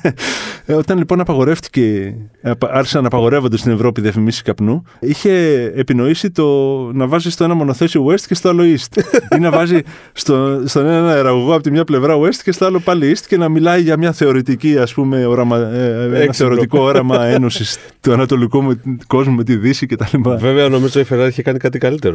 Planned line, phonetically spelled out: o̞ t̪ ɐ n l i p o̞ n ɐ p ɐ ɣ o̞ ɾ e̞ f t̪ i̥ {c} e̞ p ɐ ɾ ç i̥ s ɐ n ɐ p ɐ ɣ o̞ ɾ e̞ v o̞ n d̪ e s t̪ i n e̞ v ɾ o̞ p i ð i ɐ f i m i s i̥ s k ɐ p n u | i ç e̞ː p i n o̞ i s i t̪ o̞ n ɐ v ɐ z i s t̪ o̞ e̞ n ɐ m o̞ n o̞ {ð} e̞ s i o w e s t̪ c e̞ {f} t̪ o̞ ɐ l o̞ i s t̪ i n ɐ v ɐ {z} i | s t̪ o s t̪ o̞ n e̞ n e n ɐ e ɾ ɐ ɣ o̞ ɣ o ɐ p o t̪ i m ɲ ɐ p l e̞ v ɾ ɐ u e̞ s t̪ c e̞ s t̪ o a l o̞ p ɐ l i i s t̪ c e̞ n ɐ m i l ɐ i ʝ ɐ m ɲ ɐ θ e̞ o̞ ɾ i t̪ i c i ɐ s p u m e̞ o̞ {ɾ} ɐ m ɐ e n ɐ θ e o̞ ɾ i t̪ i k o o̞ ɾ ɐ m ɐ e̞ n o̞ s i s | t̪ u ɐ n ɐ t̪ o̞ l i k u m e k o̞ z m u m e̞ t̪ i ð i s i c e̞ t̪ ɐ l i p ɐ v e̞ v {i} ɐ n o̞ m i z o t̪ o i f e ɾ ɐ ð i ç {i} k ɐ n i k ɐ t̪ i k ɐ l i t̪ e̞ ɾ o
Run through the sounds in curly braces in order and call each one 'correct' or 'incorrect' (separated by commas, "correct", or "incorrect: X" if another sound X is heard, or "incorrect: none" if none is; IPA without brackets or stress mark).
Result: correct, incorrect: θ, incorrect: s, correct, correct, incorrect: e, incorrect: e